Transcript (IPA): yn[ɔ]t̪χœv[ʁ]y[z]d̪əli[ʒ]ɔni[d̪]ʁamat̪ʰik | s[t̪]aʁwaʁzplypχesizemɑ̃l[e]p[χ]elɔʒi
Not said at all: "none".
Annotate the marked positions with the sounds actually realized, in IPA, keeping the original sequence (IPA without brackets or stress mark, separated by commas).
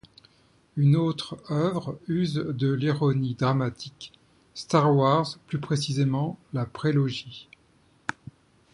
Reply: o, ʁ, z, ʁ, d̪, t̪, a, χ